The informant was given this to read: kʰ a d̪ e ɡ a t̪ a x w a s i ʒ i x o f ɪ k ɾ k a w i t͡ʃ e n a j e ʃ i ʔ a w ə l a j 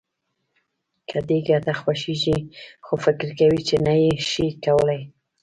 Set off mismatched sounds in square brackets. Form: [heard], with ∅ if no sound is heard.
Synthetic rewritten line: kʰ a d̪ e ɡ a t̪ a x w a [ʃ] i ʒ i x o f ɪ k ɾ k a w i t͡ʃ e n a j e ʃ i [k] a w ə l a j